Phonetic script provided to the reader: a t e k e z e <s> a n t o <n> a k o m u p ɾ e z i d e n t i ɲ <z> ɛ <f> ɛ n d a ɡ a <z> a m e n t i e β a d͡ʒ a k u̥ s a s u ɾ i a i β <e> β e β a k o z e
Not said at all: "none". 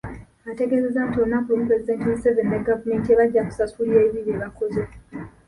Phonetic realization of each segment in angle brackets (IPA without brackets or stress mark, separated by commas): z, n, s, v, v, i